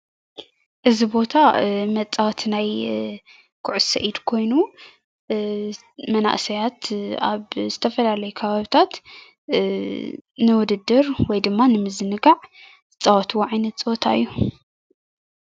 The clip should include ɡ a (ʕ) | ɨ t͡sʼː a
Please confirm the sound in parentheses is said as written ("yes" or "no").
yes